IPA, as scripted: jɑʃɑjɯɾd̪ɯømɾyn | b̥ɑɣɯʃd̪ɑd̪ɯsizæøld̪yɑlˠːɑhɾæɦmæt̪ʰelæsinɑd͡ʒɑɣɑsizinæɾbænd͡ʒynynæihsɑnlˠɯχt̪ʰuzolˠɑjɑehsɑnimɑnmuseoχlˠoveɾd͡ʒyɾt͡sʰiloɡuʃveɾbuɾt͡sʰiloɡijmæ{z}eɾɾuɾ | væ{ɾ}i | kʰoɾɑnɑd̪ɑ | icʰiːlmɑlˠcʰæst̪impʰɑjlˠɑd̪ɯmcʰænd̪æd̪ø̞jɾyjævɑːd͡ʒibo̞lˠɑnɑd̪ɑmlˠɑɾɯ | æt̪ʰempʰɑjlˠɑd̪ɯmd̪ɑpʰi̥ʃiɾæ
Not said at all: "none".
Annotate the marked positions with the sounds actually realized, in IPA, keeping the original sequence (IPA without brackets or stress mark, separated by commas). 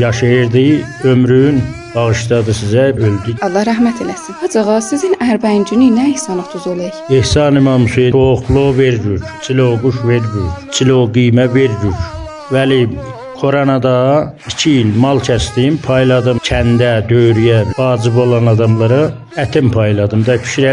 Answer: v, l